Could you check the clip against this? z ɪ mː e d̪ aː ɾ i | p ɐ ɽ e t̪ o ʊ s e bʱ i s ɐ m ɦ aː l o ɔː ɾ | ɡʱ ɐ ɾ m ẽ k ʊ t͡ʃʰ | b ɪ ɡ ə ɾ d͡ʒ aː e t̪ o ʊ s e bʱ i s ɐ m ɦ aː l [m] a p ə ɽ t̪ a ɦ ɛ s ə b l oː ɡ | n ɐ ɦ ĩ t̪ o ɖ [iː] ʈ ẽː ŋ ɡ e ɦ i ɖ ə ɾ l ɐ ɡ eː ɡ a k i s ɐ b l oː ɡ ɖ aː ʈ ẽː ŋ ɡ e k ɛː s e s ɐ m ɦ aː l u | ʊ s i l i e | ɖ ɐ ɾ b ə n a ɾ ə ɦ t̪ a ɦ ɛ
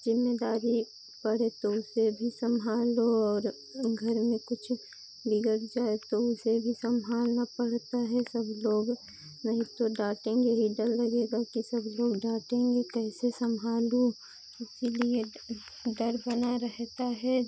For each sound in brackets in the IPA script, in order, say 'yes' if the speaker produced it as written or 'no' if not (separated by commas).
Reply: no, no